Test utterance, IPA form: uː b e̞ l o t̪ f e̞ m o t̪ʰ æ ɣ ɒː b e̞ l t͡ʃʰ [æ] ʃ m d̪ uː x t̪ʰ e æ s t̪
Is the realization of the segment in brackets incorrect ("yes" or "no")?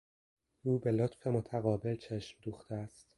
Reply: yes